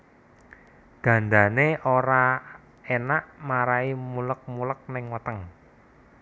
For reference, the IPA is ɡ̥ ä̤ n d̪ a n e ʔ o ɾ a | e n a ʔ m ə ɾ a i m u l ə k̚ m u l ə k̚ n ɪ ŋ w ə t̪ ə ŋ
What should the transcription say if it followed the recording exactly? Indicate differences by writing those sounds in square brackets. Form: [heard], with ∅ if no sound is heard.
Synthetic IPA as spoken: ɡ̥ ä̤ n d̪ a n e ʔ o ɾ a | e n a ʔ m [a] ɾ a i m u l ə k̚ m u l ə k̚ n ɪ ŋ w ə t̪ ə ŋ